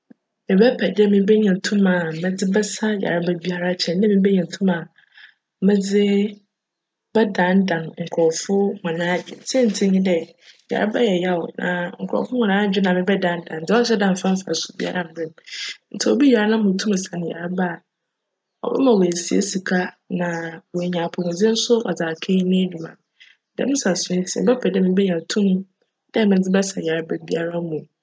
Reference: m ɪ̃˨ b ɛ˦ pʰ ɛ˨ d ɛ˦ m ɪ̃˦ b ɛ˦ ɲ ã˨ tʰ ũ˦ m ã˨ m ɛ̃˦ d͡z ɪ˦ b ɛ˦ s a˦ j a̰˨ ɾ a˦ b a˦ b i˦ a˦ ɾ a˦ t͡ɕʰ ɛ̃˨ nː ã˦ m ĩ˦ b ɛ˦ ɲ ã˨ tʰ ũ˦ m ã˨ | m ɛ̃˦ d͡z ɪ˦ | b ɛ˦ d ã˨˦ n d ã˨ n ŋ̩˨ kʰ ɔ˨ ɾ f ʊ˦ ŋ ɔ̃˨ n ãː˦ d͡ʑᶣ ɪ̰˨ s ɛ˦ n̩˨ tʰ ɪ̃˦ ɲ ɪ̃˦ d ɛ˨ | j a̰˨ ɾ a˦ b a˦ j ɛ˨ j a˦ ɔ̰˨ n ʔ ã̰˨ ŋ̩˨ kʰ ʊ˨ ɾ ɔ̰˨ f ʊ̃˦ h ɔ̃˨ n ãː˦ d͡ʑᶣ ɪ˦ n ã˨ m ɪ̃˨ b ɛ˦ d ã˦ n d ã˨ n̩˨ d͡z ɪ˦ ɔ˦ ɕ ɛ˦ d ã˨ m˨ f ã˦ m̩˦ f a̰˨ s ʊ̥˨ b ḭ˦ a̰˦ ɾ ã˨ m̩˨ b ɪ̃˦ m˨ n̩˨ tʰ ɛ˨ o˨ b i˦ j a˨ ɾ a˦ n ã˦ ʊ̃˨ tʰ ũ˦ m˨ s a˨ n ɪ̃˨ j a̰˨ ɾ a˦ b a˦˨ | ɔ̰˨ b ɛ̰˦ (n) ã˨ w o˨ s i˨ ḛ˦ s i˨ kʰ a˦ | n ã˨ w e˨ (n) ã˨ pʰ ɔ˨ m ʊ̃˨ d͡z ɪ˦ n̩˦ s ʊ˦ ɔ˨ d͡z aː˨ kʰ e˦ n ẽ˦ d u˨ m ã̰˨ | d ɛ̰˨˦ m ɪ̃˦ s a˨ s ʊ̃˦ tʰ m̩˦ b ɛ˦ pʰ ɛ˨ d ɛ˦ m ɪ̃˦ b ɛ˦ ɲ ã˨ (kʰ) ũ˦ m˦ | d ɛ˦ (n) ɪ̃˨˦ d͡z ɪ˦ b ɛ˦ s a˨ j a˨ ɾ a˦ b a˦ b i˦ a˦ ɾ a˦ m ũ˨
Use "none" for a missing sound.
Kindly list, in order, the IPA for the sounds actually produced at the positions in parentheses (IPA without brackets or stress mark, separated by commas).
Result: m, ɲ, tʰ, m